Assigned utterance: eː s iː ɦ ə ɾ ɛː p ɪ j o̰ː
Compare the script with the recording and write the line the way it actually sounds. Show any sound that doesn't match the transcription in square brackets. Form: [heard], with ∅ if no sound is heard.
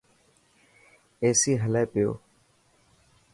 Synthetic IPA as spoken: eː s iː ɦ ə [l] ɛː p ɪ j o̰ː